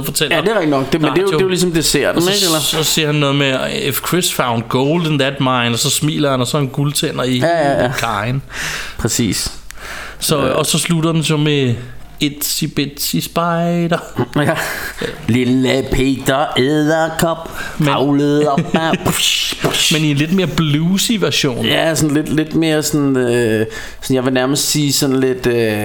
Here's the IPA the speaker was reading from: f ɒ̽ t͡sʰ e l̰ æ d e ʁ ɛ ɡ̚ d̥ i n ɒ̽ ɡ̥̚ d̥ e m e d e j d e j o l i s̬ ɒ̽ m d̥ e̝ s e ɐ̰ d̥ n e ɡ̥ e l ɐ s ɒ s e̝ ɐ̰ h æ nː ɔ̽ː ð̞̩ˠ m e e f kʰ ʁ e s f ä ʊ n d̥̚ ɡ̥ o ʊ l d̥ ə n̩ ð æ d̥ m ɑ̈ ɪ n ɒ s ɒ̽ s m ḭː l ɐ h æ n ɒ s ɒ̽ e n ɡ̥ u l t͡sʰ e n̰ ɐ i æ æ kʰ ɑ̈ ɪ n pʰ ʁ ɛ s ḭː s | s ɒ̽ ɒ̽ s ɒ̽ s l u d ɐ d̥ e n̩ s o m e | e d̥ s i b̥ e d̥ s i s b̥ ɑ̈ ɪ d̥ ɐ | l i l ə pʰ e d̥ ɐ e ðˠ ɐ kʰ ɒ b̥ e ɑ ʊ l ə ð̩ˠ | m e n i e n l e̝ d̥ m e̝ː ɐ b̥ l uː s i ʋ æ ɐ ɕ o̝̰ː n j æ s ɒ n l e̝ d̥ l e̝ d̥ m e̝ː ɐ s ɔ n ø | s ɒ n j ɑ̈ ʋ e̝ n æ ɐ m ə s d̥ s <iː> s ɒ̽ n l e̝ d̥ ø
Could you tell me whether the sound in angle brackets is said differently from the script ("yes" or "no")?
no